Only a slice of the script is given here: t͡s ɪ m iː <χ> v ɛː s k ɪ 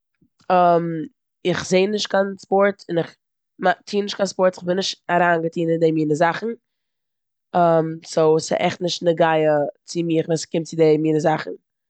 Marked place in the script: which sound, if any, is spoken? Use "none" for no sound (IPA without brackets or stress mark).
χ